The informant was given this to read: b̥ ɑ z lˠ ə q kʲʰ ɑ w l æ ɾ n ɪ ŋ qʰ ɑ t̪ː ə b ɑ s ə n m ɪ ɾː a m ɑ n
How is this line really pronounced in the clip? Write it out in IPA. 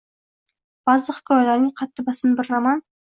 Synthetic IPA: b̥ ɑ z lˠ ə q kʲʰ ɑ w l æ ɾ n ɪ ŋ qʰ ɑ t̪ː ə b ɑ s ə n b ɪ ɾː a m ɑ n